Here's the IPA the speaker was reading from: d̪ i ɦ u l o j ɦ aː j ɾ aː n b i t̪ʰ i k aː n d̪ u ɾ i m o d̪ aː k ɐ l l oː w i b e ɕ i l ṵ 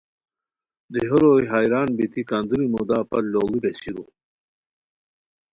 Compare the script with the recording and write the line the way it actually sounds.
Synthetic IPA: d̪ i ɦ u ɾ o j ɦ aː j ɾ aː n b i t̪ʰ i k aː n d̪ u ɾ i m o d̪ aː p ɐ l l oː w i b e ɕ i ɾ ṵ

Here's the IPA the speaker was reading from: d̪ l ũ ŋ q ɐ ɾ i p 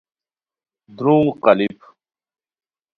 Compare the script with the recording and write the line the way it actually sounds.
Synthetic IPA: d̪ ɾ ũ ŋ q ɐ l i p

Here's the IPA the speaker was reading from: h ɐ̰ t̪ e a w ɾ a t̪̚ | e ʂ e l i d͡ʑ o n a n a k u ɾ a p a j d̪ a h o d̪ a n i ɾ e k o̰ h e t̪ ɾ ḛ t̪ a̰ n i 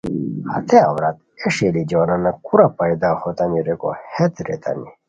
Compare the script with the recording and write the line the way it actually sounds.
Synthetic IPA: h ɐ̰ t̪ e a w ɾ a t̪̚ | e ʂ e l i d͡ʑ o n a n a k u ɾ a p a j d̪ a h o t̪ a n i ɾ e k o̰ h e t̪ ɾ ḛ t̪ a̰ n i

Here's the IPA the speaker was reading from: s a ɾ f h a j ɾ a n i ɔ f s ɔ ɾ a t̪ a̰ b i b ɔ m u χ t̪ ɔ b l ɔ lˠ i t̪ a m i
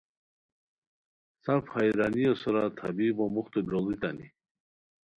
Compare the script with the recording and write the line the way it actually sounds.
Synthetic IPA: s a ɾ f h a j ɾ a n i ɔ s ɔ ɾ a t̪ʰ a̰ b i b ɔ m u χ t̪ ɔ b ɾ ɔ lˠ i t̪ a n i

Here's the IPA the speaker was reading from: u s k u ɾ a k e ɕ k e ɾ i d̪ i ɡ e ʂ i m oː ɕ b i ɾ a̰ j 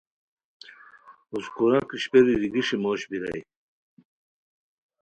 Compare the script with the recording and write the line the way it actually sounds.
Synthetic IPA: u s k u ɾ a k i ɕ p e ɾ i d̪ i ɡ i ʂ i m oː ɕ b i ɾ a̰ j

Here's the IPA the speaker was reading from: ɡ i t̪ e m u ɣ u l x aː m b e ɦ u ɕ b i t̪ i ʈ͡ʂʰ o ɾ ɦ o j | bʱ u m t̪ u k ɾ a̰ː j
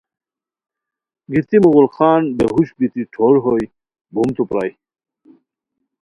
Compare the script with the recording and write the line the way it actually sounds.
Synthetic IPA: ɡ i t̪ i m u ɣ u l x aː n b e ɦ u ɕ b i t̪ i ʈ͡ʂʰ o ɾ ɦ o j | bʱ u m t̪ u p ɾ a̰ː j

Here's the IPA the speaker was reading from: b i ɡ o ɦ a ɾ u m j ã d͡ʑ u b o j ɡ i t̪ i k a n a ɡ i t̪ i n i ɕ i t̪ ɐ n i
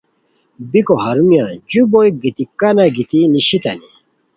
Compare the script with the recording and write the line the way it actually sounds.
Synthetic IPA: b i k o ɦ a ɾ u m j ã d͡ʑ u b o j ɡ i t̪ i k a n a ɡ i t̪ i n i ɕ i t̪ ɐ n i

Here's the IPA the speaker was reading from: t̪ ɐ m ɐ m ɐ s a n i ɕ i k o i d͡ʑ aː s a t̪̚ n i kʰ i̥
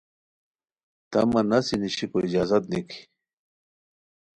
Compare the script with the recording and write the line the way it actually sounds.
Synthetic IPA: t̪ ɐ m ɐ n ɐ s i n i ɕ i k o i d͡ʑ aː z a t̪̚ n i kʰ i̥

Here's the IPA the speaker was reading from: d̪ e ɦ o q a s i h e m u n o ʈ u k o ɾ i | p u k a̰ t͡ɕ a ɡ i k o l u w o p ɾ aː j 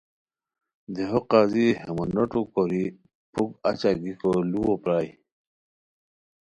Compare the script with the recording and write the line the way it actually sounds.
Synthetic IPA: d̪ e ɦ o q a z i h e m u n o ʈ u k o ɾ i | p u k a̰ t͡ɕ a ɡ i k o l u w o p ɾ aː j

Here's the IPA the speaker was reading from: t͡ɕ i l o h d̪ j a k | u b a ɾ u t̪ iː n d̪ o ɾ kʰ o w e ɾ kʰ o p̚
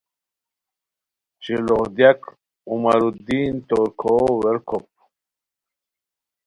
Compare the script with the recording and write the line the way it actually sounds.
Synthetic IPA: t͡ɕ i l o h d̪ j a k | u m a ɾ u d̪ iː n t̪ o ɾ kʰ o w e ɾ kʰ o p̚

